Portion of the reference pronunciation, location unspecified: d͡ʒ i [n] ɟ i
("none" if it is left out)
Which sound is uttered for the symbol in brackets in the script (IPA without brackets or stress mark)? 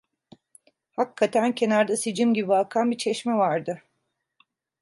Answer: m